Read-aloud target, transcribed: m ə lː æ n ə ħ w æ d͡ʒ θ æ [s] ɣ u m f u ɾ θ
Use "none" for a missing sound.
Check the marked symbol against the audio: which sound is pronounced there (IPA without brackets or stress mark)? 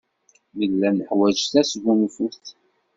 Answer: s